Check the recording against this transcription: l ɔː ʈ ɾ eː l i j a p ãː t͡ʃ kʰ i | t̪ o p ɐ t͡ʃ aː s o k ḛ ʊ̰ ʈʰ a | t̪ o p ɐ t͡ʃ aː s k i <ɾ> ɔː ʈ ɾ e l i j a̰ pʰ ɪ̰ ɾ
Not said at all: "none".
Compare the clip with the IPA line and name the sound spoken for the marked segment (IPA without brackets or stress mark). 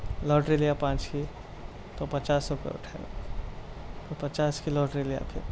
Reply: l